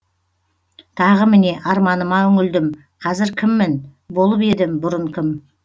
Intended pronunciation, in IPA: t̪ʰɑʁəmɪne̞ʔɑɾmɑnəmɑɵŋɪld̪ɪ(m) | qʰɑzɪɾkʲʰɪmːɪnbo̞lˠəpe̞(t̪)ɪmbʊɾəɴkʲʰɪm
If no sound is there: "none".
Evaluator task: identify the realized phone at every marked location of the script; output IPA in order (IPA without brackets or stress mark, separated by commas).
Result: m, d̪